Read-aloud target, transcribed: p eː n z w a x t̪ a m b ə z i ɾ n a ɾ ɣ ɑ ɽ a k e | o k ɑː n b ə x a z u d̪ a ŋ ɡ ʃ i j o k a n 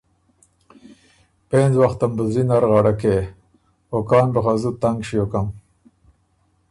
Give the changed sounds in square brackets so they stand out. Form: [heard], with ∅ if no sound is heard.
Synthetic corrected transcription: p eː n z w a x t̪ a m b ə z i [∅] n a ɾ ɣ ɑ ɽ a k e | o k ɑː n b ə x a z u [t̪] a ŋ ɡ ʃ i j o k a [m]